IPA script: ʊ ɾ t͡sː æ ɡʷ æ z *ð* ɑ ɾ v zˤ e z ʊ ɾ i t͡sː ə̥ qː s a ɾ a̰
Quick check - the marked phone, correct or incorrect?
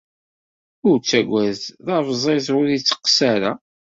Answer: correct